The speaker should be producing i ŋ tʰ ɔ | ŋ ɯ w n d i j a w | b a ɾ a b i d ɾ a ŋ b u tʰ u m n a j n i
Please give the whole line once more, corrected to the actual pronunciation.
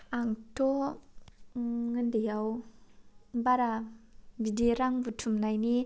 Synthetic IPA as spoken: a ŋ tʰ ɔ | ŋ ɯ n d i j a w | b a ɾ a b i d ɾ a ŋ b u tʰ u m n a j n i